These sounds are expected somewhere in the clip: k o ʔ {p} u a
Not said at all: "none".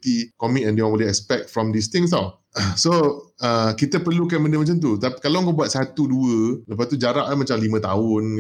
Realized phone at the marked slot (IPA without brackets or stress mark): b